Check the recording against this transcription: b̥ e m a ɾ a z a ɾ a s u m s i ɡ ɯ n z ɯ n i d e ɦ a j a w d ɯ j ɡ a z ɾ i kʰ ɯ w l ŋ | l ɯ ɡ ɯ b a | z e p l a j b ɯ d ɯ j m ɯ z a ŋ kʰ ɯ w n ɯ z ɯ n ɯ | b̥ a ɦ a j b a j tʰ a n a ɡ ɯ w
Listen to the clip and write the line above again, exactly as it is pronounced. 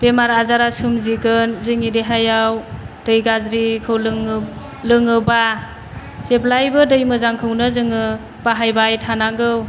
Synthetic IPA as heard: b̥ e m a ɾ a z a ɾ a s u m z i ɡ ɯ n z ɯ ŋ i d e ɦ a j a w d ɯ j ɡ a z ɾ i kʰ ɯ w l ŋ | l ɯ ŋ ɯ b a | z e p l a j b ɯ d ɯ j m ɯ z a ŋ kʰ ɯ w n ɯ z ɯ ŋ ɯ | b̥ a ɦ a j b a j tʰ a n a ɡ ɯ w